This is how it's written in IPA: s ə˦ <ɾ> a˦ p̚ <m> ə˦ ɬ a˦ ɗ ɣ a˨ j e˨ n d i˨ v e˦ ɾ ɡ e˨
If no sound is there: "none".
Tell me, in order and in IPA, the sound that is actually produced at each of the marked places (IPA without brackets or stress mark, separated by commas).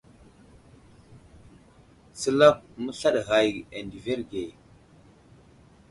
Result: l, m